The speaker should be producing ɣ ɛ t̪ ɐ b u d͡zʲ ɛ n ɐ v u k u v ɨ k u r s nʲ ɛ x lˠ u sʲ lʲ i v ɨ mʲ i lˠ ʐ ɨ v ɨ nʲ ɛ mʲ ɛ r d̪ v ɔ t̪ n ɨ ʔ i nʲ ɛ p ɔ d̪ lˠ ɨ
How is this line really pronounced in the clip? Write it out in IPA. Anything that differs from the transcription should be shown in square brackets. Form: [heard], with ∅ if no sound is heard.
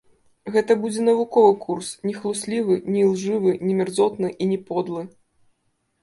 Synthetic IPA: ɣ ɛ t̪ ɐ b u d͡zʲ ɛ n ɐ v u k [ɔ] v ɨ k u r s nʲ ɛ x lˠ u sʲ lʲ i v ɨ [nʲ] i lˠ ʐ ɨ v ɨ nʲ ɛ mʲ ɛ r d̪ [z] ɔ t̪ n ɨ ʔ i nʲ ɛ p ɔ d̪ lˠ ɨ

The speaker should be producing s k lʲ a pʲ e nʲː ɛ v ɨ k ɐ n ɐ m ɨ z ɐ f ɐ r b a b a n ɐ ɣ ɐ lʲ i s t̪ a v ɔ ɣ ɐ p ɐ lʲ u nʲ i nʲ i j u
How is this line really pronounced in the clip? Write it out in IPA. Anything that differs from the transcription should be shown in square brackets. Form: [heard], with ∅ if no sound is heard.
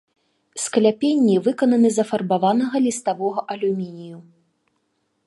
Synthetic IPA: s k lʲ a pʲ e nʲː [i] v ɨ k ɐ n ɐ [n] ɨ z ɐ f ɐ r b a [v] a n ɐ ɣ ɐ lʲ i s t̪ a v ɔ ɣ ɐ [ʔ] ɐ lʲ u [mʲ] i nʲ i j u

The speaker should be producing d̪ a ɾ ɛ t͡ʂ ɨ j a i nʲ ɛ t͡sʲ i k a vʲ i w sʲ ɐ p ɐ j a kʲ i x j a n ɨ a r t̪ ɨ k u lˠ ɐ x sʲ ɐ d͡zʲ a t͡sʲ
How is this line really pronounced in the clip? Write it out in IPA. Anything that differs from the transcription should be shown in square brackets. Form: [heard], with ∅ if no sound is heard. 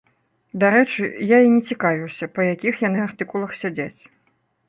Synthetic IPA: d̪ a ɾ ɛ t͡ʂ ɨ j a i nʲ ɛ t͡sʲ i k a vʲ i w sʲ ɐ p ɐ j a kʲ i x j a n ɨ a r t̪ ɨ k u lˠ ɐ x sʲ [a] d͡zʲ a t͡sʲ

